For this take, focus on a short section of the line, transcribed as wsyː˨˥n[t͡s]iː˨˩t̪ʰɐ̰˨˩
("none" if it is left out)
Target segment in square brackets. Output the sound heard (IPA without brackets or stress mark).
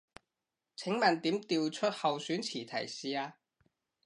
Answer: t͡sʰ